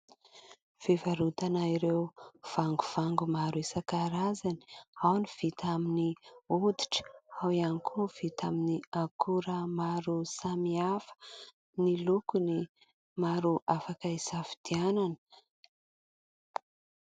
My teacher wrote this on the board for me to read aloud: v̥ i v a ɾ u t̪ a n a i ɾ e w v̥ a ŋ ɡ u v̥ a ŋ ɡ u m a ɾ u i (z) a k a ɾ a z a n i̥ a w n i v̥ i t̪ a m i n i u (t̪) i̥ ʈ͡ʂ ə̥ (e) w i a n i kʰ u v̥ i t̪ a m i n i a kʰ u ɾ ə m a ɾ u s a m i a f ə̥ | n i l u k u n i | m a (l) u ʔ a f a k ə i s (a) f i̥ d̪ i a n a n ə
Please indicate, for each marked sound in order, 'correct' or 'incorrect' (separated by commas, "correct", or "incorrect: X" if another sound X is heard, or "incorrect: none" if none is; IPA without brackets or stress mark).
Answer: incorrect: s, incorrect: d̪, incorrect: a, incorrect: ɾ, correct